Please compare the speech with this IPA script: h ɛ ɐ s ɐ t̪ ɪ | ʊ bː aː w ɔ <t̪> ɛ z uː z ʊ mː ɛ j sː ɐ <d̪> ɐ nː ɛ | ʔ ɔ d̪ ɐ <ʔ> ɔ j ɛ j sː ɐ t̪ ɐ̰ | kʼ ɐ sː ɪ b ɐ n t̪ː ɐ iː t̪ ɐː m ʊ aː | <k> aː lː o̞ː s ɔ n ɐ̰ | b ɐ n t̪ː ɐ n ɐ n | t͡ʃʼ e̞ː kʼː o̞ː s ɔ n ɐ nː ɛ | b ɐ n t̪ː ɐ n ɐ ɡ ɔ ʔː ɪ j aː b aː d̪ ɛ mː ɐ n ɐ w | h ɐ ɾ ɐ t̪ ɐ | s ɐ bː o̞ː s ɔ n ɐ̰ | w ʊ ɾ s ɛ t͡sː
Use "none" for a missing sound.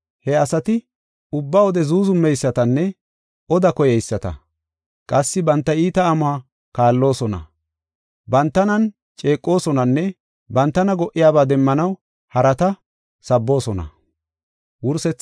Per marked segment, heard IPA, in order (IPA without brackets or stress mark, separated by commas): d̪, t̪, k, k